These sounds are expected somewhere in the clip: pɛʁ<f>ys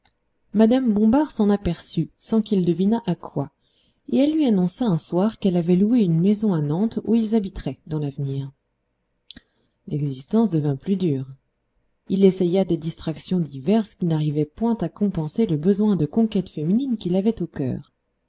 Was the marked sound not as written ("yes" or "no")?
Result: yes